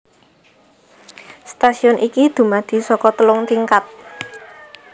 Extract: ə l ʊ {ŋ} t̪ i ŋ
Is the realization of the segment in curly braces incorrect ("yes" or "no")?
no